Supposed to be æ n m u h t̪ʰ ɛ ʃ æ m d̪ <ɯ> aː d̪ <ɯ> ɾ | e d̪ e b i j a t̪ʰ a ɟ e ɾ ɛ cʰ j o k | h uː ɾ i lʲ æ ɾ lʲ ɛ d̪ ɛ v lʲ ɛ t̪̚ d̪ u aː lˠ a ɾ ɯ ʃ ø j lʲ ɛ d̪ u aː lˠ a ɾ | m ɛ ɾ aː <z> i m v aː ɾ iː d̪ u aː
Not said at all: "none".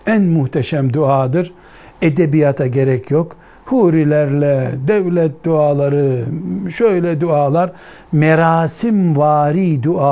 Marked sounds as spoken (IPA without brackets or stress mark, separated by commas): u, ɯ, s